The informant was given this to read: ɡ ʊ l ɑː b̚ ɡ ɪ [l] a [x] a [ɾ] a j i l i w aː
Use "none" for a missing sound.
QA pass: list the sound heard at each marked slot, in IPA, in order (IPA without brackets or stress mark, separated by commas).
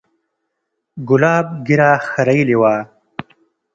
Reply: ɾ, x, ɾ